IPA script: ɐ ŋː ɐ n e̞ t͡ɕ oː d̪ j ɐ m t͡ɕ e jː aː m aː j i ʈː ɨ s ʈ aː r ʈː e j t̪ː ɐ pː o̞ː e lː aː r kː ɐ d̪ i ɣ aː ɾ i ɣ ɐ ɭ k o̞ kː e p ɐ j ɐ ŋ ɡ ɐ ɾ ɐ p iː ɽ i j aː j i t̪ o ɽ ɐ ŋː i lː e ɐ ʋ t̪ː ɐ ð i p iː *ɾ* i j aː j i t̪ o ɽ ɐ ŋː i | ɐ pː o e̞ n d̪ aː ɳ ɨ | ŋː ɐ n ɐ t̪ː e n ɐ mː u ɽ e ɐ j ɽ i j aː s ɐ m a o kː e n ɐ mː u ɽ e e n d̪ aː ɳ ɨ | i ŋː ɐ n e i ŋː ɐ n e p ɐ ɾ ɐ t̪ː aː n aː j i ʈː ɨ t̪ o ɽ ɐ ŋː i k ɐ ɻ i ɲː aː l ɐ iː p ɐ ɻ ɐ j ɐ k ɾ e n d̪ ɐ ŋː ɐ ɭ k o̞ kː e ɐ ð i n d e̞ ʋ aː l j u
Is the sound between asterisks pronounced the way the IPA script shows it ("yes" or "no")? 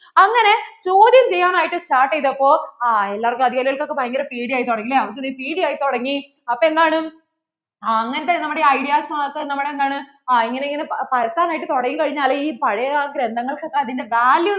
no